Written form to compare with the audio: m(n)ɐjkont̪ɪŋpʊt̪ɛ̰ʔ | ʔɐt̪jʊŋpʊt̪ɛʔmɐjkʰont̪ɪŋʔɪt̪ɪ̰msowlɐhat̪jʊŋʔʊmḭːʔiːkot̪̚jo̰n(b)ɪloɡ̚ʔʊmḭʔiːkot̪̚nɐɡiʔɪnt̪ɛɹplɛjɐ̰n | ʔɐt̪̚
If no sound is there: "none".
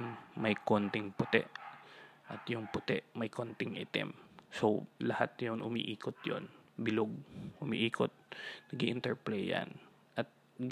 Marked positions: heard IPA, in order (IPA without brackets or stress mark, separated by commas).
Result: m, b